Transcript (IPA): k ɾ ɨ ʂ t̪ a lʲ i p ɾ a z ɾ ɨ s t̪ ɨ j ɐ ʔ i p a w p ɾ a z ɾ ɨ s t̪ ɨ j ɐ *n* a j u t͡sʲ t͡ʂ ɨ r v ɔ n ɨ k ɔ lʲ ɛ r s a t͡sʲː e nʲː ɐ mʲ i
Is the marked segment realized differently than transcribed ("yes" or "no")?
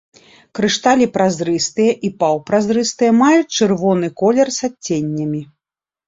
yes